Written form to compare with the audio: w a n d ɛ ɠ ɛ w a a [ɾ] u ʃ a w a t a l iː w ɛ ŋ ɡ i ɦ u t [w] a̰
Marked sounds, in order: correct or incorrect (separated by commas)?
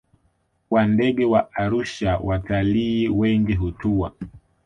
correct, incorrect